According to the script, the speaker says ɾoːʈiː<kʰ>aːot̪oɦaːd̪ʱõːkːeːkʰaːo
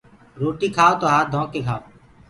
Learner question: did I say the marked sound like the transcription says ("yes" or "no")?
yes